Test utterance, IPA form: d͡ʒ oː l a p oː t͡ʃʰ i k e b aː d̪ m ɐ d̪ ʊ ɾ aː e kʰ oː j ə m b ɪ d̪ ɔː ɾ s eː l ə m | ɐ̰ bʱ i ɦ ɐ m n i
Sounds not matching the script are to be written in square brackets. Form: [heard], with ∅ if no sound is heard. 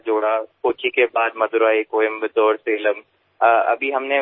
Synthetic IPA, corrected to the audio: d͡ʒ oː [ɽ] a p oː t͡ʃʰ i k e b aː d̪ m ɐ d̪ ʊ ɾ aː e [k] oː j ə m b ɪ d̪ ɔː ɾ s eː l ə m | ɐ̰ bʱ i ɦ ɐ m n [e]